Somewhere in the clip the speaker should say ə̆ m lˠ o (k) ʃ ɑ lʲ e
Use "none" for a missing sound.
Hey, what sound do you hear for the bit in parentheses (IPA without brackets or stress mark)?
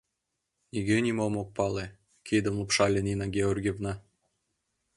p